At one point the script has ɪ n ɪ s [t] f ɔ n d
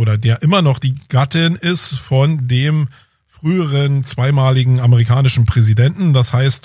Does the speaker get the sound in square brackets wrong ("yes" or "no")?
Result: no